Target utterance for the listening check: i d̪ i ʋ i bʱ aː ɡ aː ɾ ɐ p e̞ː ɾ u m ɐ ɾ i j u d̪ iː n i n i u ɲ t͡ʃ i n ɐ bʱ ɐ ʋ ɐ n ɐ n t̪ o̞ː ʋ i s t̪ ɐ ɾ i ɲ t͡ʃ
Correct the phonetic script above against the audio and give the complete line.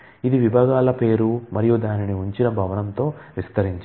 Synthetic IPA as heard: i d̪ i ʋ i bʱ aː ɡ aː l ɐ p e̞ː ɾ u m ɐ ɾ i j u d̪ aː n i n i u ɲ t͡ʃ i n ɐ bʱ ɐ ʋ ɐ n ɐ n t̪ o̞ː ʋ i s t̪ ɐ ɾ i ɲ t͡ʃ